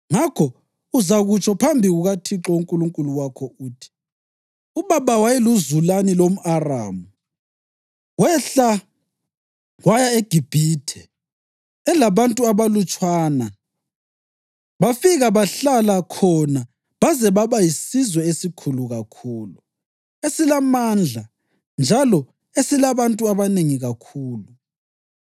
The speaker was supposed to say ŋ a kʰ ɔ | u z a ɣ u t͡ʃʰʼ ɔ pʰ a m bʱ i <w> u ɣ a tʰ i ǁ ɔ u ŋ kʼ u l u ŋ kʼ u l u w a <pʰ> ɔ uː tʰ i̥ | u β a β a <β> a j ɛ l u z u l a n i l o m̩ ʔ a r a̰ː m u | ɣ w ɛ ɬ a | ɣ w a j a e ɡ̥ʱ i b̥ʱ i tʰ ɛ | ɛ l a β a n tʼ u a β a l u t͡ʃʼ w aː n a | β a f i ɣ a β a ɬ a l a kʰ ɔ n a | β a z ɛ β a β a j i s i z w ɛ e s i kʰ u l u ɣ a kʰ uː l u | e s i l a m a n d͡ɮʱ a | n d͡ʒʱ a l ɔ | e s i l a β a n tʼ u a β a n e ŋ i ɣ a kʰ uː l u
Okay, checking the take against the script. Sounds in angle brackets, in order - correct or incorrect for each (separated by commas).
incorrect, incorrect, incorrect